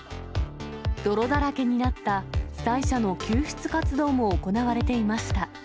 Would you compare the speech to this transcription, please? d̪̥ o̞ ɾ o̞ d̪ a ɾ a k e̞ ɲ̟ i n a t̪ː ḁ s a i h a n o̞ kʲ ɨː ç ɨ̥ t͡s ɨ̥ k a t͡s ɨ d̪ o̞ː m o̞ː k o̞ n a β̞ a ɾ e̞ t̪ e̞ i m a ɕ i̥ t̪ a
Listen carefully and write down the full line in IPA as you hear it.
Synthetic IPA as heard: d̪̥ o̞ ɾ o̞ d̪ a ɾ a k e̞ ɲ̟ i n a t̪ː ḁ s a i ɕ a n o̞ kʲ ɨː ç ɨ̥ t͡s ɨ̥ k a t͡s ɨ d̪ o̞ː m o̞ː k o̞ n a β̞ a ɾ e̞ t̪ e̞ i m a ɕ i̥ t̪ a